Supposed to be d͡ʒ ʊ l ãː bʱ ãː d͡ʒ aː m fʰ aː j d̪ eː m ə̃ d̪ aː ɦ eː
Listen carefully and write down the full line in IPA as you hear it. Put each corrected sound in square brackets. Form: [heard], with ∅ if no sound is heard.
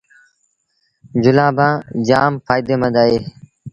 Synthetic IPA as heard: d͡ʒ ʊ l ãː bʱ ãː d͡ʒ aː m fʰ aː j d̪ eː m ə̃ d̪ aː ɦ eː